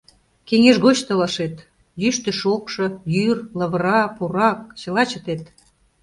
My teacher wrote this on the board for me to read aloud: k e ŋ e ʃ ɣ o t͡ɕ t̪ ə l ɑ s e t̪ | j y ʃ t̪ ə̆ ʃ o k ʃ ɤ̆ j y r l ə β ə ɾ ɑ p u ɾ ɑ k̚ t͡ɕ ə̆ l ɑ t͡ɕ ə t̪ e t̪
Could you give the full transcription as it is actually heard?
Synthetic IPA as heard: k e ŋ e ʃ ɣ o t͡ɕ t̪ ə l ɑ ʃ e t̪ | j y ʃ t̪ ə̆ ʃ o k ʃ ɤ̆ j y r l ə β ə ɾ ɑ p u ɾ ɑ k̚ t͡ɕ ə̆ l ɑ t͡ɕ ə t̪ e t̪